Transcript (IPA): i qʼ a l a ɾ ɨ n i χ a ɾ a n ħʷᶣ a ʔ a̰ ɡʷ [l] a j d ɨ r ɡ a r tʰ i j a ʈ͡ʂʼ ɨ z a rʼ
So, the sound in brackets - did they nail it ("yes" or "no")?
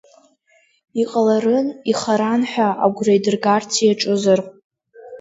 no